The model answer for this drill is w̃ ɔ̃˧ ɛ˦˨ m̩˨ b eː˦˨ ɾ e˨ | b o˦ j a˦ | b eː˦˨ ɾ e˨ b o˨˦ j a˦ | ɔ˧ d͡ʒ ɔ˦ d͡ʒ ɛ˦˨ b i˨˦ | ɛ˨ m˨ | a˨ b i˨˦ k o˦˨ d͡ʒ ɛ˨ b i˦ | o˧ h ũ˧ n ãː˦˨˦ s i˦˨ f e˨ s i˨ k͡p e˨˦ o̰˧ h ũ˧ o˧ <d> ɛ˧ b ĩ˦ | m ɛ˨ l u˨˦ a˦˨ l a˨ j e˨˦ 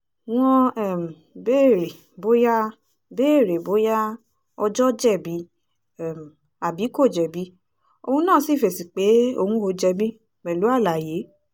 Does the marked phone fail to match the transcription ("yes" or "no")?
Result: yes